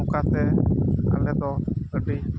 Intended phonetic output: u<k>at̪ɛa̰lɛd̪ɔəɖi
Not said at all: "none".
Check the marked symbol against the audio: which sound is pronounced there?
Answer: k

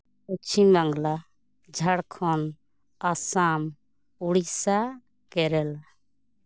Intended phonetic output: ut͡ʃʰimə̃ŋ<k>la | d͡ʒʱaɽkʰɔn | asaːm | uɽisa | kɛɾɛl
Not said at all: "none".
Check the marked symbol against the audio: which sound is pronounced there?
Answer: ɡ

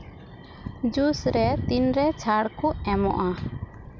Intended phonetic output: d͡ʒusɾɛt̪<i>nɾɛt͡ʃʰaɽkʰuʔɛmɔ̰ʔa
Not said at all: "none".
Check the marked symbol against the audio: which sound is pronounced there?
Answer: i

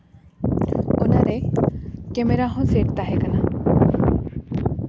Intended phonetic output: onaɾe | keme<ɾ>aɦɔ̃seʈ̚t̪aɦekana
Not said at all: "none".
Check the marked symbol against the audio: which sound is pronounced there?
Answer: ɾ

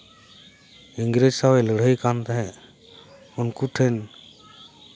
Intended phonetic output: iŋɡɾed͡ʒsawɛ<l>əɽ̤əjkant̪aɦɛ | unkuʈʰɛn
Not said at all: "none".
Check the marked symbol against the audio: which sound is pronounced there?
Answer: l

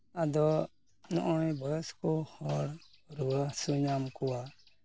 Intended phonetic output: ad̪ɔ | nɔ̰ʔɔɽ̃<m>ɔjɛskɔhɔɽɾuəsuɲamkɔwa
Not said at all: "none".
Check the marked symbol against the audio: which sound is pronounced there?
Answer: b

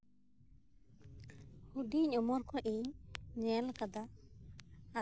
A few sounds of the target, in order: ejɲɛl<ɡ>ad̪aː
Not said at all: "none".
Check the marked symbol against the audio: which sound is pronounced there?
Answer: k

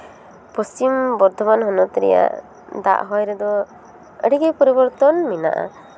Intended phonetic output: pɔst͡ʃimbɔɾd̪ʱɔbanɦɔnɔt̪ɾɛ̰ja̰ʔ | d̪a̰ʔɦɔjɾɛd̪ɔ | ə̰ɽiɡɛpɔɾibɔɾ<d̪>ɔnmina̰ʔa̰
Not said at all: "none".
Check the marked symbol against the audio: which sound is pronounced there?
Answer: t̪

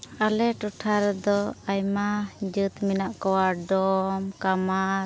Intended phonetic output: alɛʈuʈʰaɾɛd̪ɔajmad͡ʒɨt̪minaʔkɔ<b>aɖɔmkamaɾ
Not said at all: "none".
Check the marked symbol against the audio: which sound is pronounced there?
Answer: w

